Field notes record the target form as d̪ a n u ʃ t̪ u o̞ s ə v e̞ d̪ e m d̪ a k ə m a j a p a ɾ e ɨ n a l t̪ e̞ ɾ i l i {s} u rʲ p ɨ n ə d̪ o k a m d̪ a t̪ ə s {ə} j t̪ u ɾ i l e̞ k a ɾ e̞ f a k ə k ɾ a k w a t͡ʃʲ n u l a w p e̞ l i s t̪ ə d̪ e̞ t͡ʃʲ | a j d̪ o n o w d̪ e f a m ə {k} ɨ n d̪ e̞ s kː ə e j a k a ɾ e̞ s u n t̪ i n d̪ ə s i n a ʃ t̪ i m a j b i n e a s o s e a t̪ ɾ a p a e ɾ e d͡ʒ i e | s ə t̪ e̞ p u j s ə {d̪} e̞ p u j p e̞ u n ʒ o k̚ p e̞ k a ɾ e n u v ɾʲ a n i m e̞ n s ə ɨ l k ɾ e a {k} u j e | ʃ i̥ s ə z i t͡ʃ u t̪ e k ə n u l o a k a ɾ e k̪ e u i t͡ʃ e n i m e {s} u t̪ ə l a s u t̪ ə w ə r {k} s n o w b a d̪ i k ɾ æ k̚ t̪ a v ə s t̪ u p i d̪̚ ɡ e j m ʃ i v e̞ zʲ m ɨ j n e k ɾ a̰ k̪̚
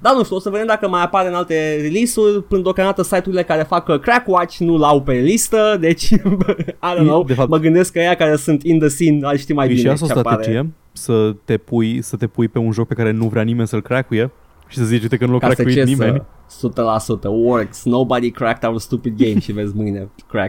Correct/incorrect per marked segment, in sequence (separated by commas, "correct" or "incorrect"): correct, incorrect, incorrect, incorrect, correct, correct, correct